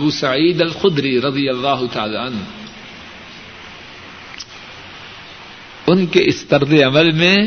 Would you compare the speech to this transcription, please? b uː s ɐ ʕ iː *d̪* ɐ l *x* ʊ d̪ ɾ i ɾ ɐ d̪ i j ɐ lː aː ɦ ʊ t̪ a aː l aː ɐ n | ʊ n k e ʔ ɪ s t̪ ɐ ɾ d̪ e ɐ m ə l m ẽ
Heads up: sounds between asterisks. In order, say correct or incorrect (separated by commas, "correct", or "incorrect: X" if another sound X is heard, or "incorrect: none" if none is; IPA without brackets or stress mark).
correct, correct